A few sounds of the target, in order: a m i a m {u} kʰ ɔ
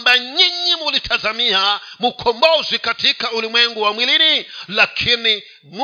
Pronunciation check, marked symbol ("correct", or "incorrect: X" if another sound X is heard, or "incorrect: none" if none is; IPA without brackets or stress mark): correct